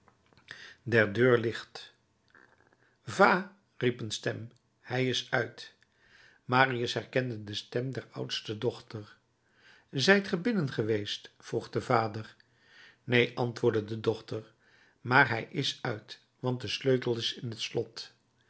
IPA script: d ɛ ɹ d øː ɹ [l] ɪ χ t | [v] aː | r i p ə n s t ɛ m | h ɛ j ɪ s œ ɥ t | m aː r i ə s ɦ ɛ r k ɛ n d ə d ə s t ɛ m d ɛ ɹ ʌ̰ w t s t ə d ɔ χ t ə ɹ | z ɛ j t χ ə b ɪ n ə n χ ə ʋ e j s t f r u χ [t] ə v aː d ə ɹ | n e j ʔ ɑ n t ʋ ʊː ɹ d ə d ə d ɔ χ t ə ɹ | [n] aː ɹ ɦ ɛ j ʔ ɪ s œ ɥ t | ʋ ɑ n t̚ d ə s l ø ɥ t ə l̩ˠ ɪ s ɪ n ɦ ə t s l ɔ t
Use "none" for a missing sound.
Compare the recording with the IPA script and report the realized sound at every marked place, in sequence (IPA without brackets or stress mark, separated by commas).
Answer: l, v, d, m